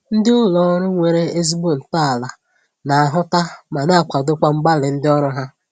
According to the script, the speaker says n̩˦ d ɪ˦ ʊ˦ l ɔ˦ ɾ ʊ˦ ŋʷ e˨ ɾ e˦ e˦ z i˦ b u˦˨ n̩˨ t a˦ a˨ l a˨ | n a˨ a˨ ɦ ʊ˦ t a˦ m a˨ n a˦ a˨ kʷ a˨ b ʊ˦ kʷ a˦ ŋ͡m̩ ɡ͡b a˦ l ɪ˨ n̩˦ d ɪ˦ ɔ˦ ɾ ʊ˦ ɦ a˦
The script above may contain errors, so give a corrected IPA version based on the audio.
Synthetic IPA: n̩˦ d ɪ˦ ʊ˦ l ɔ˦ ɾ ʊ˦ ŋʷ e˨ ɾ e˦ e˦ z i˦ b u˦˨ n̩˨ t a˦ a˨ l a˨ | n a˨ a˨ ɦ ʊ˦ t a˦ m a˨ n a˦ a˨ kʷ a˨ d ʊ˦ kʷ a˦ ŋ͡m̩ ɡ͡b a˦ l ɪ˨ n̩˦ d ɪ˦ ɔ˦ ɾ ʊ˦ ɦ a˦